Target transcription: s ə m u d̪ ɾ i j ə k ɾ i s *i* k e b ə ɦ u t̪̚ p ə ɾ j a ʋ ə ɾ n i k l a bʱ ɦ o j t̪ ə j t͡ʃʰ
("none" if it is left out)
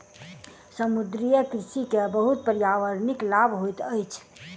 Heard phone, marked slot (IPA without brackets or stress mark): i